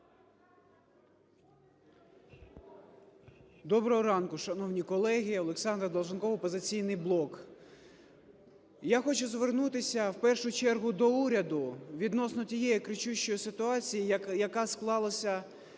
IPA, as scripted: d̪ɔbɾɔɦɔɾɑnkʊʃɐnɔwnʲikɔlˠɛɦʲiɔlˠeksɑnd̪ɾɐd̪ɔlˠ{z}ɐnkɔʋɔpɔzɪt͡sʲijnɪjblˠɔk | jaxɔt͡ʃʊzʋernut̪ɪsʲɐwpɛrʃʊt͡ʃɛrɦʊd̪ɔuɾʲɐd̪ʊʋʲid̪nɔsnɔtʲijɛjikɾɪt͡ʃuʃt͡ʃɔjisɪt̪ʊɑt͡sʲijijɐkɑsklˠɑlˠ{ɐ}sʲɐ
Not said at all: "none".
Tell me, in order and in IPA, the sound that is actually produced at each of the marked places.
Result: ʒ, ɐ

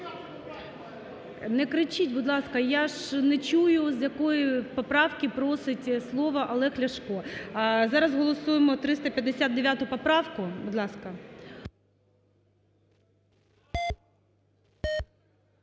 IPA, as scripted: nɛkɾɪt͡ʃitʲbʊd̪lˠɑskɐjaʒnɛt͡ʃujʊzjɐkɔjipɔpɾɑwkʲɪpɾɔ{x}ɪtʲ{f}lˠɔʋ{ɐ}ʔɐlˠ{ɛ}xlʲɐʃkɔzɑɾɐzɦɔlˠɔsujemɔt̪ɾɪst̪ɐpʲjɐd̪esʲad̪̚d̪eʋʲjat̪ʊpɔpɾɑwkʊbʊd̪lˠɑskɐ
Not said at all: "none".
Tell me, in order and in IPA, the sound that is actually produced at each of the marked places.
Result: s, s, ɐ, ɛ

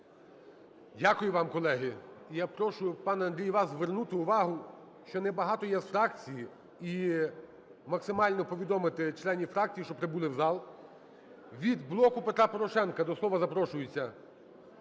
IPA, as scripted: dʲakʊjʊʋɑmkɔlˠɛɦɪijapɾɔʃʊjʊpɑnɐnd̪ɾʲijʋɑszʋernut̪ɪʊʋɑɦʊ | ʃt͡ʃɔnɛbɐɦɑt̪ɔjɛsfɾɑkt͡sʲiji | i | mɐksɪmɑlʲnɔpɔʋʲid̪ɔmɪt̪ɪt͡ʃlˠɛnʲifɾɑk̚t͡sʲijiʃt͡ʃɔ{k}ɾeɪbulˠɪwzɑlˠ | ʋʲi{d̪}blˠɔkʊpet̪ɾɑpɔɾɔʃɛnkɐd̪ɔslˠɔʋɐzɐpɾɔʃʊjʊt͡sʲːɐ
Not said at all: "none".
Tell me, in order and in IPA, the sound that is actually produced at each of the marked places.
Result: p, d̪

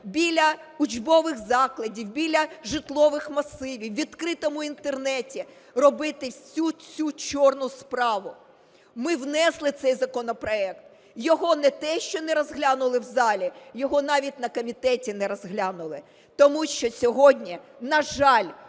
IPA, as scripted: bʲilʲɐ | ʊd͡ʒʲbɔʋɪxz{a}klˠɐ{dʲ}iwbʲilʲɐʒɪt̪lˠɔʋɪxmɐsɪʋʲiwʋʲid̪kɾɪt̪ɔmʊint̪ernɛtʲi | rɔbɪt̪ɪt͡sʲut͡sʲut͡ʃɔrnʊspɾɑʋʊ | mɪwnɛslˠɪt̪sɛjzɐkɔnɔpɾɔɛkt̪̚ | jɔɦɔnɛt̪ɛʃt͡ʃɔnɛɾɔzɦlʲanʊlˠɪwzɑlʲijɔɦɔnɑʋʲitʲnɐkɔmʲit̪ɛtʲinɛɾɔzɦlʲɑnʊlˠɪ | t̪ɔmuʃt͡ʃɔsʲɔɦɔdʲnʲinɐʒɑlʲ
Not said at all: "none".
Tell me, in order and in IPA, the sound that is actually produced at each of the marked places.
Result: ɑ, dʲ

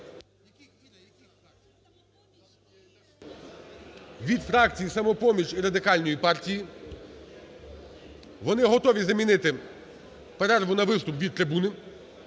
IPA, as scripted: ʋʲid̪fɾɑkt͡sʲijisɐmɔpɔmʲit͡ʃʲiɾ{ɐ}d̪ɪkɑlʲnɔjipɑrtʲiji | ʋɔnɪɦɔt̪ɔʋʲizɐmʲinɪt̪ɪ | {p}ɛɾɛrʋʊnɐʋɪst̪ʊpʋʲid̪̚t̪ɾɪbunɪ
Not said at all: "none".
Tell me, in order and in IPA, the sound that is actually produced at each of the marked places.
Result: ɐ, p

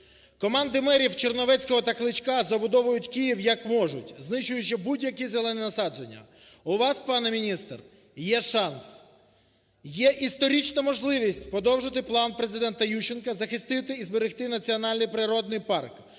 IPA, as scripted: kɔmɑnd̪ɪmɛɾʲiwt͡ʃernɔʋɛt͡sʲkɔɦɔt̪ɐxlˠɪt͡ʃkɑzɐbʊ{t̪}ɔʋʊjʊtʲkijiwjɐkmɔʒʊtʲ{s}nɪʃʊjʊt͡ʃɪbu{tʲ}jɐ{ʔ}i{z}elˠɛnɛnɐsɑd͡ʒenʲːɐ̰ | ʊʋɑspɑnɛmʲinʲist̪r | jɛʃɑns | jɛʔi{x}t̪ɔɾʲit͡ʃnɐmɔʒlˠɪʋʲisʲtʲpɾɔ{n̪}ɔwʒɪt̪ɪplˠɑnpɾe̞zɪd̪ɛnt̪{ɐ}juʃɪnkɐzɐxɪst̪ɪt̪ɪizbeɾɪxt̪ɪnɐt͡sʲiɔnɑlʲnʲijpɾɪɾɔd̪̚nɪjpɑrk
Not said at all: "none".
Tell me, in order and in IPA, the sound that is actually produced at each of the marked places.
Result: d̪, z, dʲ, k, z, s, d̪, ɐ

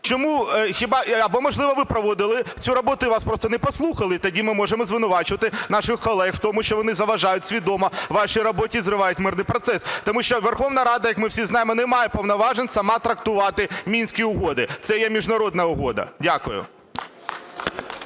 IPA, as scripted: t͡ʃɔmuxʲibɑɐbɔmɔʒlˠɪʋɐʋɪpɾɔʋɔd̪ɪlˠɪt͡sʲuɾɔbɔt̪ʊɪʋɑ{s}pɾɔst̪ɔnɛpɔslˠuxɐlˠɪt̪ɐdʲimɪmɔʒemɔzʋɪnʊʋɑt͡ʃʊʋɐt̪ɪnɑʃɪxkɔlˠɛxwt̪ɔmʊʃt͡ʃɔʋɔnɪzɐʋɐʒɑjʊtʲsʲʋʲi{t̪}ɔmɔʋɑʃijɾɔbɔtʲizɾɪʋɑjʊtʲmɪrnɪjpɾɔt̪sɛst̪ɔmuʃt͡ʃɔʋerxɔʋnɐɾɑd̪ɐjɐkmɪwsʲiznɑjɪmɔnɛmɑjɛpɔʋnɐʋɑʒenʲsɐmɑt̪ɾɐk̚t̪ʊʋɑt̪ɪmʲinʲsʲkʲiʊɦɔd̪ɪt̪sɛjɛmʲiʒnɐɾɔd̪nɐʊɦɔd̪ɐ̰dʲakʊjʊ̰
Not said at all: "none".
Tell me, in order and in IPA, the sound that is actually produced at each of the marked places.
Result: s, d̪

